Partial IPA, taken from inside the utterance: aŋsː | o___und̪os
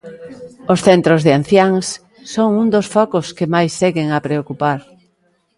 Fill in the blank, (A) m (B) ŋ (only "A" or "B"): B